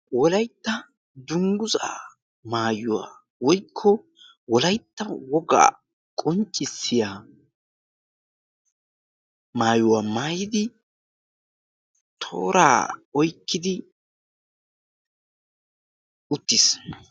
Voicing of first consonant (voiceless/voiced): voiced